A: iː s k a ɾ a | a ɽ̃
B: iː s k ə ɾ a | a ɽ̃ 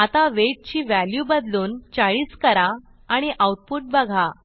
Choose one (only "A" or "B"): B